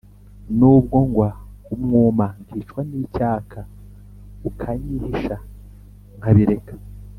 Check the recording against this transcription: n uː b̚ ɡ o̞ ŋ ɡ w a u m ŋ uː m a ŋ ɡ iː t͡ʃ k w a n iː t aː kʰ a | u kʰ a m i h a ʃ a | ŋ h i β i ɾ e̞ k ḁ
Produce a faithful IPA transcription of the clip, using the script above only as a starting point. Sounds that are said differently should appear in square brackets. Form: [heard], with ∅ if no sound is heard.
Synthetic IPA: n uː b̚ ɡ o̞ ŋ ɡ w a u m ŋ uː m a ŋ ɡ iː t͡ʃ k w a n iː [c] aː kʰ a | u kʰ a [ɲ] i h [i] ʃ a | ŋ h [a] β i ɾ e̞ k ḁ